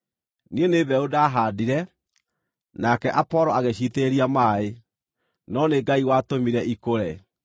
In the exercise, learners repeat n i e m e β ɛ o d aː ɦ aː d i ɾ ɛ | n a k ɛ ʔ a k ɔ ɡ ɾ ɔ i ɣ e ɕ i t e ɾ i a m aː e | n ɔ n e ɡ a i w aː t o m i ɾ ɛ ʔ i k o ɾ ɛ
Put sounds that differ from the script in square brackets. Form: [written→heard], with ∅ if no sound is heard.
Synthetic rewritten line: n i e [m→n] e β ɛ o d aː ɦ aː d i ɾ ɛ | n a k ɛ ʔ a [k→p] ɔ [ɡ→∅] ɾ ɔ [i→a] ɣ e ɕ i t e ɾ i a m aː e | n ɔ n e ɡ a i w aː t o m i ɾ ɛ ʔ i k o ɾ ɛ